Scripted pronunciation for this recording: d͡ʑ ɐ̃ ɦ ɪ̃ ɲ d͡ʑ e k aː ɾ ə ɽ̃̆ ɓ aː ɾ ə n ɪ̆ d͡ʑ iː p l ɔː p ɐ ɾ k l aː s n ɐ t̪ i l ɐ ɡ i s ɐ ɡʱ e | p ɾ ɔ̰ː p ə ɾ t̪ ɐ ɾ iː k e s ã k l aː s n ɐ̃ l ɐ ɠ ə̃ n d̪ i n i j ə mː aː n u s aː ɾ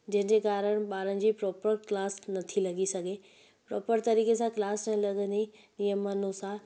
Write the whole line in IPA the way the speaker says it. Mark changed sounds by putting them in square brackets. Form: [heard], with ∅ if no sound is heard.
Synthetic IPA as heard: d͡ʑ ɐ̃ ɦ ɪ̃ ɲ d͡ʑ e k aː ɾ ə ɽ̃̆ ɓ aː ɾ ə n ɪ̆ d͡ʑ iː p [ɾ] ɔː p [ə] ɾ k l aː s n ɐ [t̪ʰ] i l ɐ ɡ i s ɐ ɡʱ e | p ɾ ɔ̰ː p ə ɾ t̪ ɐ ɾ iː k e s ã k l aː s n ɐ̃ l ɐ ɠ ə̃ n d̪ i n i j ə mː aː n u s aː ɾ